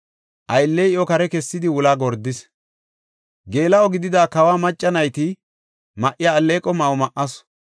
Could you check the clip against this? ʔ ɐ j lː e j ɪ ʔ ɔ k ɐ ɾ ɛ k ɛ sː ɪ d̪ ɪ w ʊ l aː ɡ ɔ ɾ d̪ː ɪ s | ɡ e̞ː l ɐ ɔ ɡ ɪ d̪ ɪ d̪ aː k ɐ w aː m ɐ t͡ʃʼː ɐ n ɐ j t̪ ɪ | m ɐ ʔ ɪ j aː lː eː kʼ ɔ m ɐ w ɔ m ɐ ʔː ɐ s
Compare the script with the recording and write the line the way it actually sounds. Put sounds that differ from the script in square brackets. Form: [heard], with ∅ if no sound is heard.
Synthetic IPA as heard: ʔ ɐ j lː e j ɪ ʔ ɔ k ɐ ɾ ɛ k ɛ sː ɪ d̪ ɪ w ʊ l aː ɡ ɔ ɾ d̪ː ɪ s | ɡ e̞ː l ɐ ɔ ɡ ɪ d̪ ɪ d̪ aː k ɐ w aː m ɐ t͡ʃʼː ɐ n ɐ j t̪ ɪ | m ɐ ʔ ɪ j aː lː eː kʼ ɔ m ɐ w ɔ m ɐ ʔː ɐ s